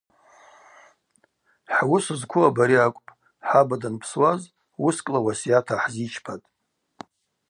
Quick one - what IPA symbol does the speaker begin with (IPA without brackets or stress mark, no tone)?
ħ